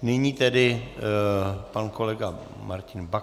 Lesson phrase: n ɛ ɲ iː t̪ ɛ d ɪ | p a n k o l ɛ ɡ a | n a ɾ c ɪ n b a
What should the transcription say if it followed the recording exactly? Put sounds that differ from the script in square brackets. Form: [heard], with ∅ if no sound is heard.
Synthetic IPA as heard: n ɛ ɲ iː t̪ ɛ d ɪ | p a n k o l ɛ ɡ a | [m] a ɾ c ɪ n b a